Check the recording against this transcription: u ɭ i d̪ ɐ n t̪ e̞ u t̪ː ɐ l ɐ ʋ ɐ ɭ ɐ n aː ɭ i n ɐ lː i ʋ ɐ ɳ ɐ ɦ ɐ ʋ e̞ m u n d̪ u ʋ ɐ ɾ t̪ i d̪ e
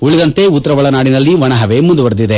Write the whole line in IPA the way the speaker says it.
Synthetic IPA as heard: u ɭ i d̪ ɐ n t̪ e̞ u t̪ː ɐ ɾ ɐ ʋ ɐ ɭ ɐ n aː ɽ i n ɐ lː i ʋ ɐ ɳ ɐ ɦ ɐ ʋ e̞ m u n d̪ u ʋ ɐ ɾ d̪ i d̪ e

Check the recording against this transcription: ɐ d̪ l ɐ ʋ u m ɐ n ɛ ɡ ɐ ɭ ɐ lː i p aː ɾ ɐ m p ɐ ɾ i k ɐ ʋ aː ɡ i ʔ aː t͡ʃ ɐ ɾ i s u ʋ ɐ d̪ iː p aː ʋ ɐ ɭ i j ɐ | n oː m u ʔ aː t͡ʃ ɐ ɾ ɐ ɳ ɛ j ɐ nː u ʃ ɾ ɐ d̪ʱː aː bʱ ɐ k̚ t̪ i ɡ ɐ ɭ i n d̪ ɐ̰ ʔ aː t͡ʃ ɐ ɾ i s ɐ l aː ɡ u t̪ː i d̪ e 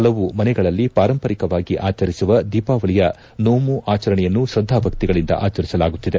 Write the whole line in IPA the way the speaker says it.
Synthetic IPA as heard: ɐ l ɐ ʋ u m ɐ n ɛ ɡ ɐ ɭ ɐ lː i p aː ɾ ɐ m p ɐ ɾ i k ɐ ʋ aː ɡ i ʔ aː t͡ʃ ɐ ɾ i s u ʋ ɐ d̪ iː p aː ʋ ɐ ɭ i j ɐ | n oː m u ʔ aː t͡ʃ ɐ ɾ ɐ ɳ ɛ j ɐ nː u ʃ ɾ ɐ d̪ʱː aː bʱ ɐ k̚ t̪ i ɡ ɐ ɭ i n d̪ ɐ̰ ʔ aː t͡ʃ ɐ ɾ i s ɐ l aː ɡ u t̪ː i d̪ e

